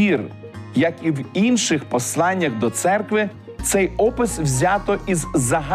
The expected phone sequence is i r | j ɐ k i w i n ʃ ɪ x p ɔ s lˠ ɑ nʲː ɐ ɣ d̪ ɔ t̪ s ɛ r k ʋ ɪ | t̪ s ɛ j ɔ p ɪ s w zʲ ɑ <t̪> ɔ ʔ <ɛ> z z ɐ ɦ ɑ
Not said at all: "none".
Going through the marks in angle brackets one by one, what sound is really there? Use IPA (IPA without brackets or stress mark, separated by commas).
t̪, i